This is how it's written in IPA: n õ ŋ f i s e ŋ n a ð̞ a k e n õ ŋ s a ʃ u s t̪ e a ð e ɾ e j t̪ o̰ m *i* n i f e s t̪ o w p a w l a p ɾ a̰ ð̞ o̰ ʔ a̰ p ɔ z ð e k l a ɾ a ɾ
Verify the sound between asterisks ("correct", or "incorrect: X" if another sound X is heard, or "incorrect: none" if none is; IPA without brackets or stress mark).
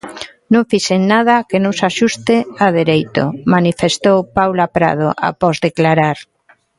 incorrect: a